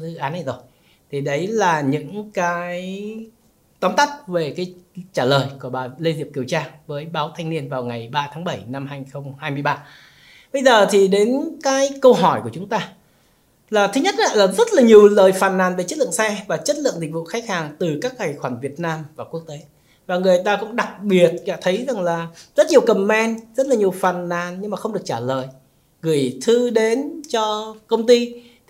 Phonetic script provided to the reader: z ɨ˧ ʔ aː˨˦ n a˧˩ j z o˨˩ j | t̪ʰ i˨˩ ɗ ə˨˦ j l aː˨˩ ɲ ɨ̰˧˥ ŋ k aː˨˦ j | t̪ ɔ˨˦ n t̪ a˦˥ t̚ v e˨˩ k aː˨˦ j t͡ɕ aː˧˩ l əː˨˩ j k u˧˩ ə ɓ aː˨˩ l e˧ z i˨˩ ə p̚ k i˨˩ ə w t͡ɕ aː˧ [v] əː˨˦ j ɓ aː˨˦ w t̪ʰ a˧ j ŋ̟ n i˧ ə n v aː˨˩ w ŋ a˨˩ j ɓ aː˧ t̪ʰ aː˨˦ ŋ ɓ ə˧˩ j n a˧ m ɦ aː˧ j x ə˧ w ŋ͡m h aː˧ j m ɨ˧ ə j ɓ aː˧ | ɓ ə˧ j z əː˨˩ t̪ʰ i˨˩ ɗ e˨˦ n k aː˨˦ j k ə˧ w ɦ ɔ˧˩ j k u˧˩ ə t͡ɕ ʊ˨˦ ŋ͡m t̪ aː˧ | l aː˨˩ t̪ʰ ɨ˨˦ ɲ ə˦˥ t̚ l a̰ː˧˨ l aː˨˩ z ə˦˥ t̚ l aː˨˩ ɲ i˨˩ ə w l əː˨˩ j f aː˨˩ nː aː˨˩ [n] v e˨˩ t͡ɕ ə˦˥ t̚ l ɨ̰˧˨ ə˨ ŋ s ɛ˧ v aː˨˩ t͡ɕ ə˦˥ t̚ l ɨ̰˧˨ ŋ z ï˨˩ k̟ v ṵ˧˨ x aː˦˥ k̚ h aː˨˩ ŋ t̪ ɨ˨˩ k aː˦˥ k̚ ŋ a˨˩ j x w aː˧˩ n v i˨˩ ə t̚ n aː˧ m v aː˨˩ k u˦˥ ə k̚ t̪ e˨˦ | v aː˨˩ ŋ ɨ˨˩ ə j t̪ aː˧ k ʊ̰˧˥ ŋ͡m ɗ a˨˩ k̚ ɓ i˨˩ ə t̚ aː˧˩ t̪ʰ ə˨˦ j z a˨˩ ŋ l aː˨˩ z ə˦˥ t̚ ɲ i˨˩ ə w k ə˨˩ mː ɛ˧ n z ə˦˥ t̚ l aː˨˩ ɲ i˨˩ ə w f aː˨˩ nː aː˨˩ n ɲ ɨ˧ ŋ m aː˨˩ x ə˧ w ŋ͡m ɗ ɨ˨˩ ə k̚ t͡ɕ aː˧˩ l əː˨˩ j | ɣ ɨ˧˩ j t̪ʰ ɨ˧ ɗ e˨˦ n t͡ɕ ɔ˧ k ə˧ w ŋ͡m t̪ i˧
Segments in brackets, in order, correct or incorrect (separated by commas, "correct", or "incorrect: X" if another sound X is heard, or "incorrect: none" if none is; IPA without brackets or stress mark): correct, correct